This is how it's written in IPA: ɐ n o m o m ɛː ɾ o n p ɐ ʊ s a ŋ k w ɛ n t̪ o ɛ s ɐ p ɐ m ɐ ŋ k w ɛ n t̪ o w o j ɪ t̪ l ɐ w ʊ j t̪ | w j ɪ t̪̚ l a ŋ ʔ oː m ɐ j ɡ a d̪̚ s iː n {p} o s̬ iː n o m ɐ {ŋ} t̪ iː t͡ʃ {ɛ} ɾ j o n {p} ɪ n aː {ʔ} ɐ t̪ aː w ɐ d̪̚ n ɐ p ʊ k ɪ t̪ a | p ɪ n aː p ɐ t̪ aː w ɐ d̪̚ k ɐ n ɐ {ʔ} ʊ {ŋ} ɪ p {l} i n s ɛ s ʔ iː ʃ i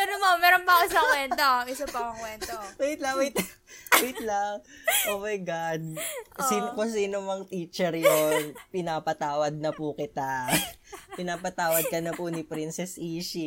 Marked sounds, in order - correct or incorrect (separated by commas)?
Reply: incorrect, correct, correct, correct, incorrect, incorrect, incorrect, incorrect